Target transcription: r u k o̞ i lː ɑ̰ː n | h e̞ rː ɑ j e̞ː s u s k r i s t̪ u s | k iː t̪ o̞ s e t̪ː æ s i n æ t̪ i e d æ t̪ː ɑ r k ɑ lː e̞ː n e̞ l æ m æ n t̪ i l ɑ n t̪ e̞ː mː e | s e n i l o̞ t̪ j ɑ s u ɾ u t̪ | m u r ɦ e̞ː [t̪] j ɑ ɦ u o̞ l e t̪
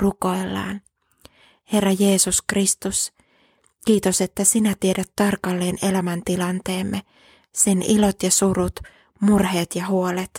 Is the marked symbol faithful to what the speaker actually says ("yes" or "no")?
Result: yes